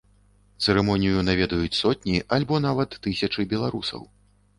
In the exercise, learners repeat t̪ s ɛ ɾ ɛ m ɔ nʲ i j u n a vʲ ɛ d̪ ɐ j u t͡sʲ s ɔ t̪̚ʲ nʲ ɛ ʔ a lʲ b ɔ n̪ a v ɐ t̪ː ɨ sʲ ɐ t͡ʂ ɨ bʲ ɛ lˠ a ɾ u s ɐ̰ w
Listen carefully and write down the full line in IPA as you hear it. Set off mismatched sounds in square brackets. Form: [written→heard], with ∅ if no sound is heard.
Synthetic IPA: t̪ s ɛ ɾ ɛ m ɔ nʲ i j u n a vʲ ɛ d̪ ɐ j u t͡sʲ s ɔ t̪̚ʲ nʲ [ɛ→i] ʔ a lʲ b ɔ n̪ a v ɐ t̪ː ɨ sʲ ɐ t͡ʂ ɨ bʲ ɛ lˠ a ɾ u s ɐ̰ w